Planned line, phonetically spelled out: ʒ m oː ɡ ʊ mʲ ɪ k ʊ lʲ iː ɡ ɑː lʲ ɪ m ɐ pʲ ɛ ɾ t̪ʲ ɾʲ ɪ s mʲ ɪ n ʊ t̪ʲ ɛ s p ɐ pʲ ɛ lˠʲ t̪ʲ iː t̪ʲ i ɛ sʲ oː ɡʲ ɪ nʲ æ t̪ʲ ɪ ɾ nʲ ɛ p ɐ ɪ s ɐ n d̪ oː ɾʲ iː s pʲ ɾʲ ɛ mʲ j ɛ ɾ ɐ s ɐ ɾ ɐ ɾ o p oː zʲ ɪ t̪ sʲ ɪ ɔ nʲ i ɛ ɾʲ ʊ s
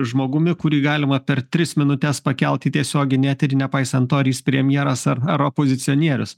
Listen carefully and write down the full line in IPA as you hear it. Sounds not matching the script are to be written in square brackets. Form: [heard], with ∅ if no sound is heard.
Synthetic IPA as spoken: ʒ m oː ɡ ʊ mʲ ɪ k ʊ [ɾʲ] iː ɡ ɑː lʲ ɪ m ɐ pʲ ɛ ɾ t̪ʲ ɾʲ ɪ s mʲ ɪ n ʊ t̪ʲ ɛ s p ɐ [kʲ] ɛ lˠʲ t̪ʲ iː t̪ʲ i ɛ sʲ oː ɡʲ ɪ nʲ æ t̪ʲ ɪ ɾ nʲ ɛ p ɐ ɪ s ɐ n [t̪] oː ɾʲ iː s pʲ ɾʲ ɛ mʲ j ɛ ɾ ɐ s ɐ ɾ ɐ ɾ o p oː zʲ ɪ t̪ sʲ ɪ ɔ nʲ i ɛ ɾʲ ʊ s